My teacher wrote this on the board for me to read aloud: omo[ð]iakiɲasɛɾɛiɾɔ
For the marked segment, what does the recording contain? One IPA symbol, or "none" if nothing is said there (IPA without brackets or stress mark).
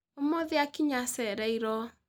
ð